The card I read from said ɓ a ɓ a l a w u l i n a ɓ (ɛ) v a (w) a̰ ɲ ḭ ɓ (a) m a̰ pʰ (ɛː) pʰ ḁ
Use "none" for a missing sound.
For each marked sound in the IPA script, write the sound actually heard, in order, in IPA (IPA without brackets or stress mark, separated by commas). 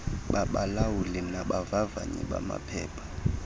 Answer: a, v, a, ɛː